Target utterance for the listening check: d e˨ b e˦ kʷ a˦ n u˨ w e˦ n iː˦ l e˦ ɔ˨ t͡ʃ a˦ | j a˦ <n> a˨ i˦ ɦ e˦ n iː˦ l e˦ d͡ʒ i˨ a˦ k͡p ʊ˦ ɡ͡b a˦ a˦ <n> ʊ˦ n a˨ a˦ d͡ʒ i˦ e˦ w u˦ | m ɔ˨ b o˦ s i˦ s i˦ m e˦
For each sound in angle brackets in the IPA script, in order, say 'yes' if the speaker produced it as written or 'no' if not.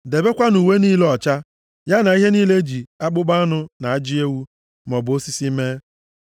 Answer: yes, yes

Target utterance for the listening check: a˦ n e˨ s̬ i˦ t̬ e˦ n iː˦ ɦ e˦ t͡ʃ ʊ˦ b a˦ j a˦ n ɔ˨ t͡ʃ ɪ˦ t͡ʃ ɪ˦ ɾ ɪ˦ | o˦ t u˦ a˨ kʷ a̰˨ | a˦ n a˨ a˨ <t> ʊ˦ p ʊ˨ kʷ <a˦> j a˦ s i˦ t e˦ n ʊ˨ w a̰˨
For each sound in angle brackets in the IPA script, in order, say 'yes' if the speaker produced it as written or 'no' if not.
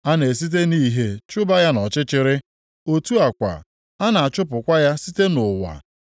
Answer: no, yes

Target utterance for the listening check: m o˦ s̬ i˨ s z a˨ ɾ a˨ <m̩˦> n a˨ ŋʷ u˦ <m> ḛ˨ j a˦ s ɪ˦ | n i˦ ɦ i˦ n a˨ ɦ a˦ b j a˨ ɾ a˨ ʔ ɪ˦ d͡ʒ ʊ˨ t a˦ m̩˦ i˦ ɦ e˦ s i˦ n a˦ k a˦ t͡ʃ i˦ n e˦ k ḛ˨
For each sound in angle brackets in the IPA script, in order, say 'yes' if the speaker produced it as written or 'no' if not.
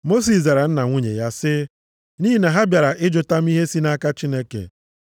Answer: no, no

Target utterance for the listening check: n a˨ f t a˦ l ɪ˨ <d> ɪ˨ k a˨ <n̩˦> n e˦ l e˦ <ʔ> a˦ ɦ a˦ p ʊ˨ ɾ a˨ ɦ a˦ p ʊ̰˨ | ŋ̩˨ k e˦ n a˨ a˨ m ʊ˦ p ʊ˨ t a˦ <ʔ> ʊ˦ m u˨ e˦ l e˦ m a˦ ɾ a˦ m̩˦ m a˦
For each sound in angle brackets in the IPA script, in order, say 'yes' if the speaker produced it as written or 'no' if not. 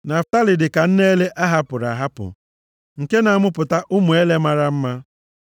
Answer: yes, yes, yes, yes

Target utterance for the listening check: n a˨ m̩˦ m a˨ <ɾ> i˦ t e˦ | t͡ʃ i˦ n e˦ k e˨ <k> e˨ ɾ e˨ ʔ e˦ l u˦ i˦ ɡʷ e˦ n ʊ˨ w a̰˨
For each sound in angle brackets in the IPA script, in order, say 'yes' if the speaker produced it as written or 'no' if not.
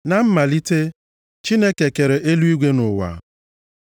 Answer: no, yes

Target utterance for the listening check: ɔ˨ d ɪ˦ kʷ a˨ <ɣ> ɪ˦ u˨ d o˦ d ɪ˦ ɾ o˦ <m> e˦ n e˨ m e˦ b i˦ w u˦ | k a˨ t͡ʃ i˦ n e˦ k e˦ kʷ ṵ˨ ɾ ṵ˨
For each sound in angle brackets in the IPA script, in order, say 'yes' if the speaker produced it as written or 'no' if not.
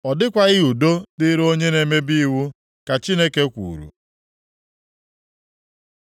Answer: yes, no

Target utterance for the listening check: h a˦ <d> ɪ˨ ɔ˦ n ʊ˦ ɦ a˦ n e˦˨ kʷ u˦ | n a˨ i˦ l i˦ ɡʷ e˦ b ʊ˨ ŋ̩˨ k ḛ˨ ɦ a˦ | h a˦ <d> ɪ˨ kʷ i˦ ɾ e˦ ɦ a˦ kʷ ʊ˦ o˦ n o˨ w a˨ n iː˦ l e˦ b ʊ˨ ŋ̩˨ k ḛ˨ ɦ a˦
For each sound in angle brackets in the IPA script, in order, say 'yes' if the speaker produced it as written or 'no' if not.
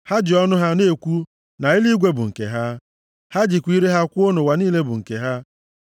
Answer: no, no

